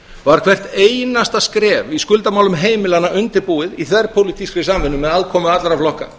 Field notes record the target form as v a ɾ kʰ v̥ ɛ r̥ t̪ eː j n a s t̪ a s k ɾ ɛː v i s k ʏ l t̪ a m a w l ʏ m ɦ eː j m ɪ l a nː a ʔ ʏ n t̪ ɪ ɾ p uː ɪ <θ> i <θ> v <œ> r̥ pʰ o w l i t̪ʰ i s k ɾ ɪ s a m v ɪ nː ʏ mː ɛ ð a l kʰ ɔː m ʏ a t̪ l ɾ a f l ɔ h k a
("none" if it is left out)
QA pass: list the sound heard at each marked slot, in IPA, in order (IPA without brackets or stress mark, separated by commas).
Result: ð, θ, ɛ